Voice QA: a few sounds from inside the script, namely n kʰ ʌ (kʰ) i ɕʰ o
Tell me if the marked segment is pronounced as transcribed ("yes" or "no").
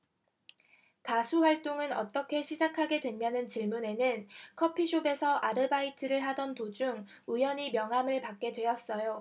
no